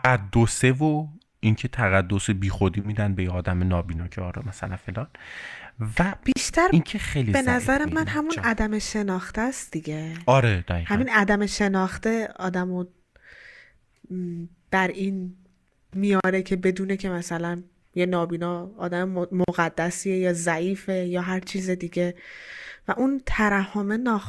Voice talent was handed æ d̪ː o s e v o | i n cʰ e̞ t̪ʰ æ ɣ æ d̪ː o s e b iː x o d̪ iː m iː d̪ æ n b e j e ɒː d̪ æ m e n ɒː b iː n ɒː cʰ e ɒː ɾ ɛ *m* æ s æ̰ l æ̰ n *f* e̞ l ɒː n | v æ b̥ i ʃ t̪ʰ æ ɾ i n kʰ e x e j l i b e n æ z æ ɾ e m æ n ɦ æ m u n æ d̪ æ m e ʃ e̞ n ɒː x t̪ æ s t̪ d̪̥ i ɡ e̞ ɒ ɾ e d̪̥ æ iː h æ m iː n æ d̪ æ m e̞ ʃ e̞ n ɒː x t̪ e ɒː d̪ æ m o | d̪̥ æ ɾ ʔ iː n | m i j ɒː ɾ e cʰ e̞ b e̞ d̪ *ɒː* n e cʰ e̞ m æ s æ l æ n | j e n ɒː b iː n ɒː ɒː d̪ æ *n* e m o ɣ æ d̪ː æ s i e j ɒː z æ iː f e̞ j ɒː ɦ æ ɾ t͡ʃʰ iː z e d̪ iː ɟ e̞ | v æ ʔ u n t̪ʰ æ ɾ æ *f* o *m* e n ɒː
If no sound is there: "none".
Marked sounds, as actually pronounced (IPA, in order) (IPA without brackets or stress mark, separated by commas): m, f, uː, m, h, m